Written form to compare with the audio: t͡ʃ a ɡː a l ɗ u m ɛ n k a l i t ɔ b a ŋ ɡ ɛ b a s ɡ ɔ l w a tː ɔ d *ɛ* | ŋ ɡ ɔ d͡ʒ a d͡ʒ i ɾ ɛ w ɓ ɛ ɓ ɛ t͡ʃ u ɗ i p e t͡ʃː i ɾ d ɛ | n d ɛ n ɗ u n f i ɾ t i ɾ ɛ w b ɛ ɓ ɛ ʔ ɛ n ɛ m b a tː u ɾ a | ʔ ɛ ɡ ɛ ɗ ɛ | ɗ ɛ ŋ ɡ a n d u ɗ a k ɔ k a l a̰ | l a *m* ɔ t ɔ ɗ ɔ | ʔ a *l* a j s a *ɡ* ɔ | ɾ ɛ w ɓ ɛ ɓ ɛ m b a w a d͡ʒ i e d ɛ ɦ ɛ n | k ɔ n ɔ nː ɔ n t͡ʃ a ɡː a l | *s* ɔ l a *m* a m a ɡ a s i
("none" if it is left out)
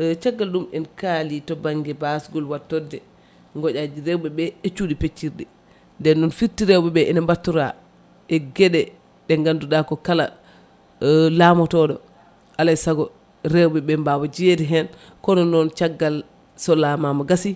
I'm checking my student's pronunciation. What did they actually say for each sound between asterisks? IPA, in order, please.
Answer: ɛ, m, l, ɡ, s, m

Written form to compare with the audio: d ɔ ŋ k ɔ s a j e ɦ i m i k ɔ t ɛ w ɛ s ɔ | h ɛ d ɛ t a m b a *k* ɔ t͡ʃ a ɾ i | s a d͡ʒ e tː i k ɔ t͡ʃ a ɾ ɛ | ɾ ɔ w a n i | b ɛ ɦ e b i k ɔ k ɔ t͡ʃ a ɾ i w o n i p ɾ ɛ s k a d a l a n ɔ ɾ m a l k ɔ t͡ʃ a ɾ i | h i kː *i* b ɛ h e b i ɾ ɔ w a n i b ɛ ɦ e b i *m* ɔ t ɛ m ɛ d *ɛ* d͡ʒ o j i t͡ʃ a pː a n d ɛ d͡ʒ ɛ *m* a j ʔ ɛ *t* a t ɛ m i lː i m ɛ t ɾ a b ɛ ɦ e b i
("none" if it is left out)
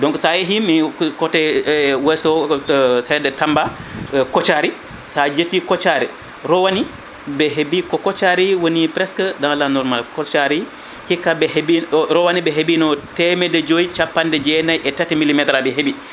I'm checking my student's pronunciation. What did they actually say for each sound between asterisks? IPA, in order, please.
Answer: k, a, n, ɛ, n, t

